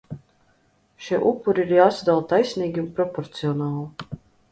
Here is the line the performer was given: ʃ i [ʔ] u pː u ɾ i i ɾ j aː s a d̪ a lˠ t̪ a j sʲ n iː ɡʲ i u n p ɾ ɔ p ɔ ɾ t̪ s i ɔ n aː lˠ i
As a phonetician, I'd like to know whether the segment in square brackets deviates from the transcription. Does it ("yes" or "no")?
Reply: no